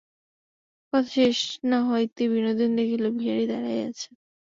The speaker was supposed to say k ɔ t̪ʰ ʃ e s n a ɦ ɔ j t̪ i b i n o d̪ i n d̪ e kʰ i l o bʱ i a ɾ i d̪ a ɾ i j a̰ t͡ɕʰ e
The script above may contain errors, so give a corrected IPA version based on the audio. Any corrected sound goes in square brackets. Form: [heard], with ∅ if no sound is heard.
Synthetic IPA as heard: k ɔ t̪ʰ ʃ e [ʃ] n a ɦ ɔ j t̪ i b i n o d̪ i n d̪ e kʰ i l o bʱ i a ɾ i d̪ a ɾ [a] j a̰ t͡ɕʰ e